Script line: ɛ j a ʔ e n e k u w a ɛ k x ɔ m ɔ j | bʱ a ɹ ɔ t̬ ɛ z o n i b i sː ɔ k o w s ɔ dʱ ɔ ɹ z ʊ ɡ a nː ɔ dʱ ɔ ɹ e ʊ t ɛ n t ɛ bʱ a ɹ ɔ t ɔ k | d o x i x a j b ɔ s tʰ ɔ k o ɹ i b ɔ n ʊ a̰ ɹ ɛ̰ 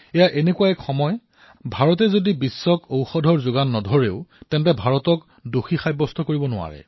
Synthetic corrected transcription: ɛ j a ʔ e n e k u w a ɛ k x ɔ m ɔ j | bʱ a ɹ ɔ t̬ ɛ z o d i b i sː ɔ k o w x ɔ dʱ ɔ ɹ z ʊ ɡ a nː ɔ dʱ ɔ ɹ e ʊ t ɛ n t ɛ bʱ a ɹ ɔ t ɔ k | d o x i x a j b ɔ s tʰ ɔ k o ɹ i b ɔ n ʊ a̰ ɹ ɛ̰